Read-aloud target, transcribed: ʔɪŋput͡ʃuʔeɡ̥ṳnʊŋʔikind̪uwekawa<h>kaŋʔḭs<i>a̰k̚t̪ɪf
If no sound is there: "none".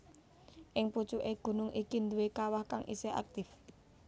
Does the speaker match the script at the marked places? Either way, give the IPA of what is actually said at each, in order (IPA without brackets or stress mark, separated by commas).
h, e